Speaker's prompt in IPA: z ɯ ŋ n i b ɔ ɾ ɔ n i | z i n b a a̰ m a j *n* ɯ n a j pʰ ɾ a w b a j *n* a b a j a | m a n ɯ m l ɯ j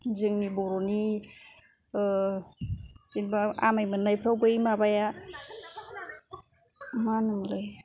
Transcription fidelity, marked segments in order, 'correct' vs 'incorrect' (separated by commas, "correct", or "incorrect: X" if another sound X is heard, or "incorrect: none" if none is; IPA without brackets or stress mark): incorrect: m, incorrect: m